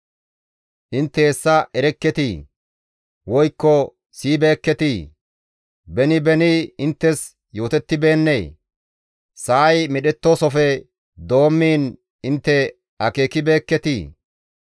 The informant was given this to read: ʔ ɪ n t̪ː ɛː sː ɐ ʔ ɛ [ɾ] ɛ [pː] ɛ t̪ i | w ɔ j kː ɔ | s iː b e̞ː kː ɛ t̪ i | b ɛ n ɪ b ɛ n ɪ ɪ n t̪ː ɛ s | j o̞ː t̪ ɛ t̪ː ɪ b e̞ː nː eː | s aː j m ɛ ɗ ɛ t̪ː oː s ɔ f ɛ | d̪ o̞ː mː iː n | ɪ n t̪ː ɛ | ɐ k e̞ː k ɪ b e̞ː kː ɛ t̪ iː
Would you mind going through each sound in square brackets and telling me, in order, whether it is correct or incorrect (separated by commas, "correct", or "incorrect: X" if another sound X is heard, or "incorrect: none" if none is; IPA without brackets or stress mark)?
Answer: correct, incorrect: kː